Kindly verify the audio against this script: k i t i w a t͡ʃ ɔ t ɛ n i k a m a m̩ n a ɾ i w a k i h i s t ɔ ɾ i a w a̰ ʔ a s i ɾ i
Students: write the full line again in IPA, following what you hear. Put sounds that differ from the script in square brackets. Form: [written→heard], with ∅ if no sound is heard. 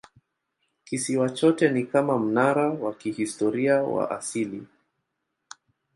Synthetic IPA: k i [t→s] i w a t͡ʃ ɔ t ɛ n i k a m a m̩ n a ɾ [i→a] w a k i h i s t ɔ ɾ i a w a̰ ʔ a s i [ɾ→l] i